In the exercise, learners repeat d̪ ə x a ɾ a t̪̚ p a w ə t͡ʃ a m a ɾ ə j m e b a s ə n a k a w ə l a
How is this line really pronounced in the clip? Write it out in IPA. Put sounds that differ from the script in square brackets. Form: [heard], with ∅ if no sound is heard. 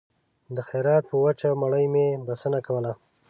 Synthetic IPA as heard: d̪ ə x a ɾ [ɑ] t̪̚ p [ə] w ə t͡ʃ a m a [ɽ] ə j m e b a s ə n a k a w ə l a